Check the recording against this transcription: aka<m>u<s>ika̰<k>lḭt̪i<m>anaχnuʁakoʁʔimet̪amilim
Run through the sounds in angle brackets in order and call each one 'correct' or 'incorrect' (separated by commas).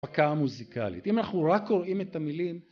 correct, incorrect, incorrect, correct